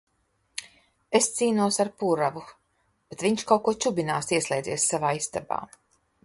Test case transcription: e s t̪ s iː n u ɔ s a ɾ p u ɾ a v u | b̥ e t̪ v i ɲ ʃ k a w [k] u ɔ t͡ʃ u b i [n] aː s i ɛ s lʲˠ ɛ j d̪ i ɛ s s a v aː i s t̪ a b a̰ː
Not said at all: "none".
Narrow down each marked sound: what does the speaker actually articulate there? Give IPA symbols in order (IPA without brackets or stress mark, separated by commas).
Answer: k, n